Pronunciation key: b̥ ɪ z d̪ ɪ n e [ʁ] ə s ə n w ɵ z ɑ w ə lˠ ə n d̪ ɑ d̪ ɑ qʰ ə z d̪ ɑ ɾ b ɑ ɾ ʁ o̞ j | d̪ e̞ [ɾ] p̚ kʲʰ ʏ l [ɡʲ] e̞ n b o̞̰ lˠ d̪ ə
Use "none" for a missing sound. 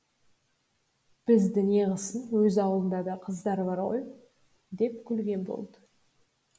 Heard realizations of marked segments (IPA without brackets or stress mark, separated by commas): ʁ, none, ɡʲ